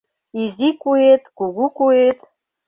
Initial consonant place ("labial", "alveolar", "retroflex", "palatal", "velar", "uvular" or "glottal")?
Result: alveolar